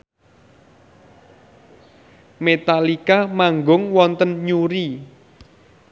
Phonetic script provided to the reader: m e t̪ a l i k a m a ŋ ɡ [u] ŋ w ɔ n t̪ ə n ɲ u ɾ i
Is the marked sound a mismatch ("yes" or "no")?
yes